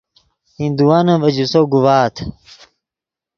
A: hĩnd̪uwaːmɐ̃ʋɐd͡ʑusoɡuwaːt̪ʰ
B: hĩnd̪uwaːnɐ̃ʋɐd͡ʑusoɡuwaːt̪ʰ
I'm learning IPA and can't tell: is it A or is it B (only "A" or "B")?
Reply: B